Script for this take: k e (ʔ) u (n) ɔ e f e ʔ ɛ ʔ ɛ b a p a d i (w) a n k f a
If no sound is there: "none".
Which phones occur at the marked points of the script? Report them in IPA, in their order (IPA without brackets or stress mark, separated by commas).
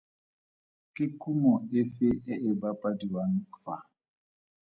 k, m, w